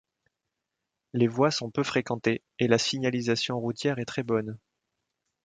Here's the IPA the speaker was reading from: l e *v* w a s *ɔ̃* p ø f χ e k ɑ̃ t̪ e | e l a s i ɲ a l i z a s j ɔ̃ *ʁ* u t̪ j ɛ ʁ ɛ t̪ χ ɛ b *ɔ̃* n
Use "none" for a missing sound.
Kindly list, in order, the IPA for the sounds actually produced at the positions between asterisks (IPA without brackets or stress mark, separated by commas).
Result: v, ɔ̃, ʁ, ɔ